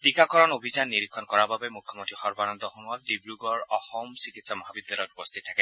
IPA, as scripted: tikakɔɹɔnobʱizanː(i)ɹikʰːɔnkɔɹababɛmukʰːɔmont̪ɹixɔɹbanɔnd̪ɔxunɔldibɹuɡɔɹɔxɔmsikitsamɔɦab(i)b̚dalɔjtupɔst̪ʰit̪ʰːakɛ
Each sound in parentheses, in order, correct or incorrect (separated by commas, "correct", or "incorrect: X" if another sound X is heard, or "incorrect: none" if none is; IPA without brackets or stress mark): correct, correct